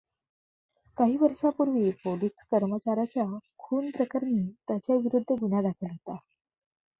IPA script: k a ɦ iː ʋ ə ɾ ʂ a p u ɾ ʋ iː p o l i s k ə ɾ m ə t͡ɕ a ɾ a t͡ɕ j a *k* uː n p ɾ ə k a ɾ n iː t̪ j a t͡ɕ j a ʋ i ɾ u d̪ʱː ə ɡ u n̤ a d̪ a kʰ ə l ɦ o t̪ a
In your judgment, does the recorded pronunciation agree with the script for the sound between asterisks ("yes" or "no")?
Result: no